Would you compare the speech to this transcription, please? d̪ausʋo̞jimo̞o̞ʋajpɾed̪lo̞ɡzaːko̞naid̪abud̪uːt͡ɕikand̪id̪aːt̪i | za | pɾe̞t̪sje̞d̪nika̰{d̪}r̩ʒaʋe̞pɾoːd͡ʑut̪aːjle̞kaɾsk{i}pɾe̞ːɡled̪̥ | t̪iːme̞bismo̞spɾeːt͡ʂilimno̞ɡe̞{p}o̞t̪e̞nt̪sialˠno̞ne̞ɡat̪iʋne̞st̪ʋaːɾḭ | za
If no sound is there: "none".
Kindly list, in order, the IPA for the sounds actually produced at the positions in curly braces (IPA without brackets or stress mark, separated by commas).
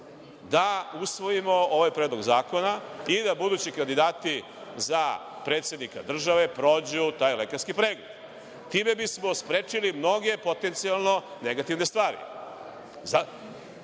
d̪, i, p